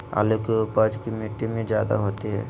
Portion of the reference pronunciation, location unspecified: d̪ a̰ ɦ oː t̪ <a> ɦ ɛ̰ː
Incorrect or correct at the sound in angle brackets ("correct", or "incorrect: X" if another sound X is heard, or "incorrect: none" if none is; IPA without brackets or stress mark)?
incorrect: i